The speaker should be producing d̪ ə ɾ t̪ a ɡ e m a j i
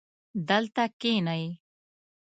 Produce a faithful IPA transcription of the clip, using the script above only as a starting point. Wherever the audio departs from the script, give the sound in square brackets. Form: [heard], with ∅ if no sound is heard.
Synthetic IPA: d̪ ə [l] t̪ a [k] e [n] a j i